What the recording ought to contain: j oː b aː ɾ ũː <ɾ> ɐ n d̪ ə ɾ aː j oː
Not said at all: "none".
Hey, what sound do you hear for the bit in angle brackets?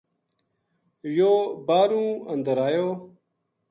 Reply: none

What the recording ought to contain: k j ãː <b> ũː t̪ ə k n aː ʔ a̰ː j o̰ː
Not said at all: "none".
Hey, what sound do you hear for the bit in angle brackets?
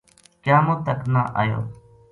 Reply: m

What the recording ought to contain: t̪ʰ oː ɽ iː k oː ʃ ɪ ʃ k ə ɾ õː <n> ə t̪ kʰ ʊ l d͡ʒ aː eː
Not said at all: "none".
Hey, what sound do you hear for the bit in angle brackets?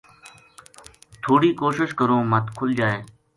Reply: m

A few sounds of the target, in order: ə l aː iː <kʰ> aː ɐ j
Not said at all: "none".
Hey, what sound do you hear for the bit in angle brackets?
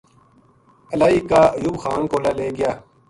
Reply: k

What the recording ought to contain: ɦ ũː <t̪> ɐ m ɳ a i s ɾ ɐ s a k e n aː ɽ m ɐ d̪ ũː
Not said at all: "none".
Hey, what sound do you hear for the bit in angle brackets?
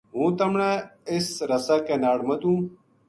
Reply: t̪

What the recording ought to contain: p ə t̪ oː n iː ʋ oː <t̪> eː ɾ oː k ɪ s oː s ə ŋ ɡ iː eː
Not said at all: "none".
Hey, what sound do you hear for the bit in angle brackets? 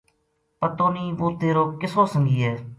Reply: t̪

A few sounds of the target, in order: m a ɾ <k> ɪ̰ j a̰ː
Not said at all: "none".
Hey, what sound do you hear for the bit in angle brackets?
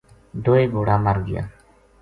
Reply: ɡ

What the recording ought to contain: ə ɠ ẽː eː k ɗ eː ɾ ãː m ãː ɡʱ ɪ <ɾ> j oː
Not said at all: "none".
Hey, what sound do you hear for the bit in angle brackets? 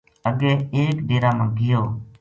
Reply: none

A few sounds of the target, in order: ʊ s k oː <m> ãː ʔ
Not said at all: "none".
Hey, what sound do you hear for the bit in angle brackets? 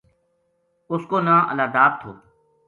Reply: n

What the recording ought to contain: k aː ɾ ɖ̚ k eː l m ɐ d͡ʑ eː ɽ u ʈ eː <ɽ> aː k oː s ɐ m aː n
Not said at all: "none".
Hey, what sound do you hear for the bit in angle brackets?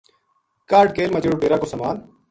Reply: ɾ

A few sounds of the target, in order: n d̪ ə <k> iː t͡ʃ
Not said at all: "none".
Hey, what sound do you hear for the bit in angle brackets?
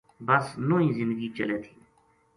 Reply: ɡ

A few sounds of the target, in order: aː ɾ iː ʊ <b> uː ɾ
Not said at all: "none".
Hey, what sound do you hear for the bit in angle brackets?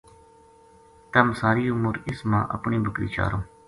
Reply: m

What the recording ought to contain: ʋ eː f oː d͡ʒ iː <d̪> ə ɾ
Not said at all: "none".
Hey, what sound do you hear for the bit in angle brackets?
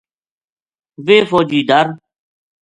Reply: d̪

